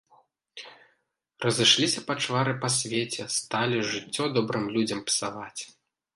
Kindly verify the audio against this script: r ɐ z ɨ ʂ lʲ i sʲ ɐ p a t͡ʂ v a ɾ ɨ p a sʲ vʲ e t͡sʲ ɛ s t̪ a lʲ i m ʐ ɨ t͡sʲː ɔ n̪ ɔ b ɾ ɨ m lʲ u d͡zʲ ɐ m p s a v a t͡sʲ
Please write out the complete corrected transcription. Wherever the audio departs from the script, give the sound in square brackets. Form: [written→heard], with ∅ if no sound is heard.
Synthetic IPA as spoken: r ɐ z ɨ ʂ lʲ i sʲ ɐ p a t͡ʂ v a ɾ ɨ p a sʲ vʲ e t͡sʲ ɛ s t̪ a lʲ i [m→∅] ʐ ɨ t͡sʲː ɔ [n̪→d̪] ɔ b ɾ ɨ m lʲ u d͡zʲ ɐ m p s a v a t͡sʲ